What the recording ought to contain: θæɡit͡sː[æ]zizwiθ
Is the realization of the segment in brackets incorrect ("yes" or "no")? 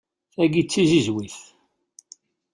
yes